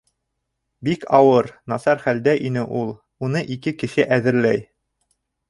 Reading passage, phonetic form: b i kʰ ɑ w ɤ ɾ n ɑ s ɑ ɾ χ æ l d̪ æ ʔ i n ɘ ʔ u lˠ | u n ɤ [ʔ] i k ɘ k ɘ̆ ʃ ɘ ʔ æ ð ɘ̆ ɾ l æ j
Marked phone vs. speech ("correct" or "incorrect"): correct